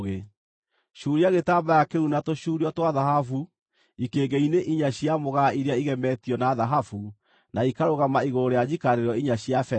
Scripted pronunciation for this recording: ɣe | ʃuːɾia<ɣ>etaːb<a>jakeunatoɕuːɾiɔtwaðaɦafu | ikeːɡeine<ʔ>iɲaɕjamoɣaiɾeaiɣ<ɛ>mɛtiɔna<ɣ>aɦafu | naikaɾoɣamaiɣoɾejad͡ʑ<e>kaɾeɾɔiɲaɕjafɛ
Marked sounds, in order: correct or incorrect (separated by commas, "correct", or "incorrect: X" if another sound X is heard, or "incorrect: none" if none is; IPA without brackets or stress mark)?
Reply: correct, correct, correct, correct, incorrect: ð, incorrect: i